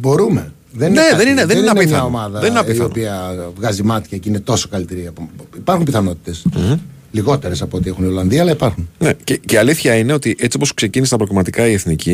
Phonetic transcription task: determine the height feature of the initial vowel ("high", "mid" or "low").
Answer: mid